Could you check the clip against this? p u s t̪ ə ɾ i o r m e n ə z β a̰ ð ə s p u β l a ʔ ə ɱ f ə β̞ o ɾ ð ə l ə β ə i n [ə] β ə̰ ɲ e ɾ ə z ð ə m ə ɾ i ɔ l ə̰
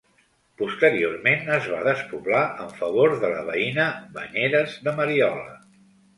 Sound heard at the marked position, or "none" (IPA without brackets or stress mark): ə